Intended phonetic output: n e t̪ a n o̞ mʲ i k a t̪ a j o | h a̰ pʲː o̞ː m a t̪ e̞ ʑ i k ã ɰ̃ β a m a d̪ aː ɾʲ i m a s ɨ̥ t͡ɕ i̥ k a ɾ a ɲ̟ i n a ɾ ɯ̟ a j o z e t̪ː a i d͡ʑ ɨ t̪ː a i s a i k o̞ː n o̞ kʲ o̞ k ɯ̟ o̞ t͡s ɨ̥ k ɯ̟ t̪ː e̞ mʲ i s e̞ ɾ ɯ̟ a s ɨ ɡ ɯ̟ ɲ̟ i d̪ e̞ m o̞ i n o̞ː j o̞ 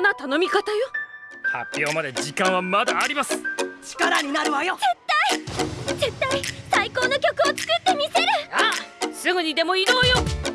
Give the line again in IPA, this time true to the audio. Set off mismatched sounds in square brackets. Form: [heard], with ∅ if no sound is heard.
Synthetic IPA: n [a] t̪ a n o̞ mʲ i k a t̪ a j o | h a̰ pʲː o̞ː m a [d̪] e̞ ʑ i k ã ɰ̃ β a m a d̪ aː ɾʲ i m a s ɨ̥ t͡ɕ i̥ k a ɾ a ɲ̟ i n a ɾ ɯ̟ a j o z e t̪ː a i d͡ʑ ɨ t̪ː a i s a i k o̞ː n o̞ kʲ o̞ k ɯ̟ o̞ t͡s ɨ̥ k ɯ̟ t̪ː e̞ mʲ i s e̞ ɾ ɯ̟ a s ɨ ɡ ɯ̟ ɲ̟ i d̪ e̞ m o̞ i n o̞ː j o̞